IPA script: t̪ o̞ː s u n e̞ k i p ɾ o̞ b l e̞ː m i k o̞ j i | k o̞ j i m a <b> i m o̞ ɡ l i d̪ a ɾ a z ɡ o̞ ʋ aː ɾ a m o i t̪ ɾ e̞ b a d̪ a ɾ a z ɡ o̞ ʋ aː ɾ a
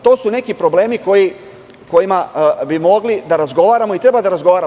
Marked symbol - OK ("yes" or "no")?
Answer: yes